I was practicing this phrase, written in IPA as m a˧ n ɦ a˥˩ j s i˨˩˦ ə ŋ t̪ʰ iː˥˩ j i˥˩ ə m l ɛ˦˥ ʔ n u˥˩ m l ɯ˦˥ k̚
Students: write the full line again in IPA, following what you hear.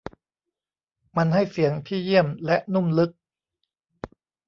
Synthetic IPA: m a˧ n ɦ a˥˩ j s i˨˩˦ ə ŋ t̪ʰ iː˥˩ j i˥˩ ə m l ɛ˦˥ ʔ n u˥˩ m l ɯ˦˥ k̚